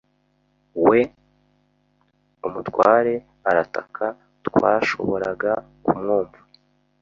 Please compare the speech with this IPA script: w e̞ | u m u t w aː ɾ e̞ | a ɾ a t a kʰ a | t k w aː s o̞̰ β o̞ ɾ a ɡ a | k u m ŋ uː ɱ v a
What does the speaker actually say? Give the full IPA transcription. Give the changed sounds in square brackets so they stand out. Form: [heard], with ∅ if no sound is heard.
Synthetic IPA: w e̞ | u m u t w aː ɾ e̞ | a ɾ a t a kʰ a | t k w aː [ʃ] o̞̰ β o̞ ɾ a ɡ a | k u m ŋ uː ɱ v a